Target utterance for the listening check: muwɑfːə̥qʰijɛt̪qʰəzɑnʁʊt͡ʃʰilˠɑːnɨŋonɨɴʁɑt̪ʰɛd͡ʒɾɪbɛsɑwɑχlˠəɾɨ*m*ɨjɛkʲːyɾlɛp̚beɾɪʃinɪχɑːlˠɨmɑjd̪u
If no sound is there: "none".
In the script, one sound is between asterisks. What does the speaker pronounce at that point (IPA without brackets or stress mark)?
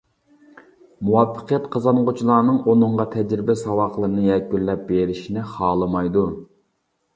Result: n